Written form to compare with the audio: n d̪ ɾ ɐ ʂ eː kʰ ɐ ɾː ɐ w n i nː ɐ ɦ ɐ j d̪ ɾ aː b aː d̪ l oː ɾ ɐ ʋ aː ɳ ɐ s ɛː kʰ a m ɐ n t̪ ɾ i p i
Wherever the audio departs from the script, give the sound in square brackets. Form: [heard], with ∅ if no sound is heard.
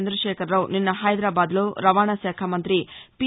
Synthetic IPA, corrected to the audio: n d̪ ɾ ɐ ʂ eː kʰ ɐ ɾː ɐ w n i nː ɐ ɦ ɐ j d̪ ɾ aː b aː d̪ l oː ɾ ɐ ʋ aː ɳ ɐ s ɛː kʰ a m ɐ n t̪ ɾ i p i